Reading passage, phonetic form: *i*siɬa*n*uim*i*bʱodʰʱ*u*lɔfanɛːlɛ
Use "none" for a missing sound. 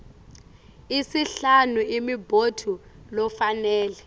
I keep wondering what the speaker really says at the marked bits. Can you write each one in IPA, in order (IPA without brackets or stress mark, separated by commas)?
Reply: i, n, i, u